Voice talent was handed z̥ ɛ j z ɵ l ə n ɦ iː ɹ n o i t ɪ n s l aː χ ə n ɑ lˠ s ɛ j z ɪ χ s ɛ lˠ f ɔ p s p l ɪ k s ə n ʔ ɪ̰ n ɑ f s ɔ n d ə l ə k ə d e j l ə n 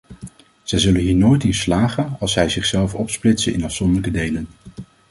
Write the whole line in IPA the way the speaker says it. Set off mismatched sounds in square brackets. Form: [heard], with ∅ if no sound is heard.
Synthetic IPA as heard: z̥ ɛ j z ɵ l ə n ɦ iː ɹ n o [j] t ɪ n s l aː χ ə n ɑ lˠ s ɛ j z ɪ χ s ɛ lˠ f ɔ p s p l ɪ [t] s ə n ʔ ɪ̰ n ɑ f s ɔ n d ə l ə k ə d e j l ə n